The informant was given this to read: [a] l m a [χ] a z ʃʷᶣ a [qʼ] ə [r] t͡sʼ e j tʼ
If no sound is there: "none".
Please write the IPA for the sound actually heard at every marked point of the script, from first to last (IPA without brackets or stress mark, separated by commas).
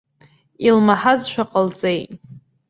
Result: i, ħ, qʼ, l